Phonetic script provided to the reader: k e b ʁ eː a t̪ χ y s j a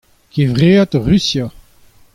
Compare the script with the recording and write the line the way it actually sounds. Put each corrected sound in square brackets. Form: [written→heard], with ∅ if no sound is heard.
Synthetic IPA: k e [b→v] ʁ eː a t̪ [χ→ʁ] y s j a

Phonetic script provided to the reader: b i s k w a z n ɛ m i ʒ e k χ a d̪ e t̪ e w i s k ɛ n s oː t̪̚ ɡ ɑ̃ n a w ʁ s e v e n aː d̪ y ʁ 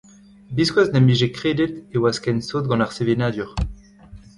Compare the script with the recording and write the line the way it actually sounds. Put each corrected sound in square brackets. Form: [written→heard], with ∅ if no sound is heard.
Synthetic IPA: b i s k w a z n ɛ m i ʒ e k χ [a→e] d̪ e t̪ e w [i→a] s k ɛ n s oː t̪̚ ɡ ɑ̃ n a [w→∅] ʁ s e v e n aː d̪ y ʁ

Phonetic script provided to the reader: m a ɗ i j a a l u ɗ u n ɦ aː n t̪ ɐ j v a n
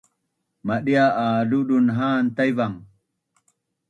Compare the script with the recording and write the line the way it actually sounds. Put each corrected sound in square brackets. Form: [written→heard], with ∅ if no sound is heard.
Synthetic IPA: m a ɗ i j a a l u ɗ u n ɦ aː n t̪ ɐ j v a [n→ŋ]

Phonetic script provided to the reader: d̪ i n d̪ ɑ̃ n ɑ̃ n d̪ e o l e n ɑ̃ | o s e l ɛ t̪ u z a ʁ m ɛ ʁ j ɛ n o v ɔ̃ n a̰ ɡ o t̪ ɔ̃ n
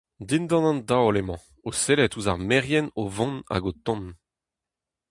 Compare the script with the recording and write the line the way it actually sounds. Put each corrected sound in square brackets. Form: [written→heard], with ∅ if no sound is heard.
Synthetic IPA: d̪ i n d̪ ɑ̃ n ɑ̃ n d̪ [e→a] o l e [n→m] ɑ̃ | o s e l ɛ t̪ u z a ʁ m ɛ ʁ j ɛ n o v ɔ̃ n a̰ ɡ o t̪ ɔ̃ n

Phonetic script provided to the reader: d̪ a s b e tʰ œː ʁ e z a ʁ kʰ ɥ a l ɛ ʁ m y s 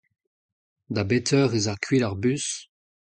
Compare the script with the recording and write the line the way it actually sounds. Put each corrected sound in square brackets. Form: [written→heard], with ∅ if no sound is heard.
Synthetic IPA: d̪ a [s→∅] b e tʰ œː ʁ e z a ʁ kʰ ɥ [a→i] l [ɛ→a] ʁ [m→b] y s

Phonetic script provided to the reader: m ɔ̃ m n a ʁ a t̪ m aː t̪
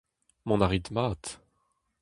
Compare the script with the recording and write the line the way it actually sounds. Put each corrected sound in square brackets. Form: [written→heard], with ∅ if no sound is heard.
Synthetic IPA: m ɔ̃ [m→∅] n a ʁ [a→i] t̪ m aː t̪

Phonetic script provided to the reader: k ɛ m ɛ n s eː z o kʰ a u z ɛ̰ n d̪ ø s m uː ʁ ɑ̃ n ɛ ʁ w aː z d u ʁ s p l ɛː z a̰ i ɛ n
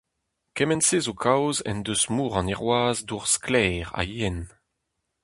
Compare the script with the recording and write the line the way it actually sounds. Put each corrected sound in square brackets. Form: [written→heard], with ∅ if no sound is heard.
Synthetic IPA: k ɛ m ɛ n s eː z o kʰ a [u→w] z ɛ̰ n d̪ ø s m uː ʁ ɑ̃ n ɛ ʁ w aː z d u ʁ s [p→k] l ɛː [z→ʁ] a̰ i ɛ n

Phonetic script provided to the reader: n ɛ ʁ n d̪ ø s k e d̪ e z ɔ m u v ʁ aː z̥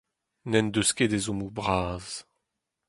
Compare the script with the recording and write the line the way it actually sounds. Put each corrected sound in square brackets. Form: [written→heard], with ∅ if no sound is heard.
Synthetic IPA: n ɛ [ʁ→∅] n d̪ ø s k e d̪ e z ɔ m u [v→b] ʁ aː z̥

